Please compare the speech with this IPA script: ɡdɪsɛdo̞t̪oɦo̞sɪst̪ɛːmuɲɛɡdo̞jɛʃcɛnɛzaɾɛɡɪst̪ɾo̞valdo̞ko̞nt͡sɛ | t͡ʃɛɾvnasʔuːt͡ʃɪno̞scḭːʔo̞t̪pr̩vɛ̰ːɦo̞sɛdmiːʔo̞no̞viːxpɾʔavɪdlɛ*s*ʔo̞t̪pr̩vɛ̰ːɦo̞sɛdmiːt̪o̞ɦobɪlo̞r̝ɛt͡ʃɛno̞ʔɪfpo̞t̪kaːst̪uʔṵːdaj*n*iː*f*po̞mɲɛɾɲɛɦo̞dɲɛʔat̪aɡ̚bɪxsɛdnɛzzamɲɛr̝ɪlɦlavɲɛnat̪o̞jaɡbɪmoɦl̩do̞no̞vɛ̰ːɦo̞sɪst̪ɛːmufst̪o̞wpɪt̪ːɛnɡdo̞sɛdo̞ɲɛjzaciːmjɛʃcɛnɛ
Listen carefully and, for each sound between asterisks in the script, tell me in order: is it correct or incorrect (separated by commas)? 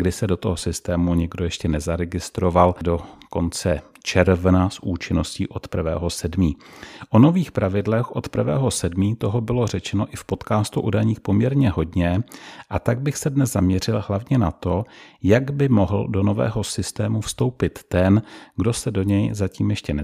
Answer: incorrect, incorrect, incorrect